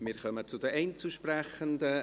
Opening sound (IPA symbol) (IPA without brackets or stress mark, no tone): m